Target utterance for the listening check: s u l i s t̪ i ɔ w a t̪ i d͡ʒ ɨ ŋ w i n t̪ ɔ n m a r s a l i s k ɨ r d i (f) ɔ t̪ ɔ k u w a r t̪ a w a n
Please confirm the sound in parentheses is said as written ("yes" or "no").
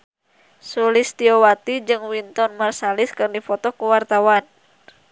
yes